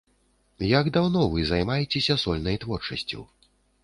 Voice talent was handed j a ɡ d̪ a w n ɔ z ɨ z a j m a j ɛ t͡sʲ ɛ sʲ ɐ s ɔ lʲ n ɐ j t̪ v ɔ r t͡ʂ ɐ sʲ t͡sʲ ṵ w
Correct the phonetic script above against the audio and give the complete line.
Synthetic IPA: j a ɡ d̪ a w n ɔ v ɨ z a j m a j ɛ t͡sʲ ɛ sʲ ɐ s ɔ lʲ n ɐ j t̪ v ɔ r t͡ʂ ɐ sʲ t͡sʲ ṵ w